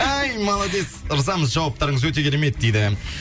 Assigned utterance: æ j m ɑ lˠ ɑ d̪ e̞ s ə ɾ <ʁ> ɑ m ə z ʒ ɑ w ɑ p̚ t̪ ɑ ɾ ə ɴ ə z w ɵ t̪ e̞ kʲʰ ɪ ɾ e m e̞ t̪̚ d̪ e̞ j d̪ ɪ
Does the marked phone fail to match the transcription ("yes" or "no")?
yes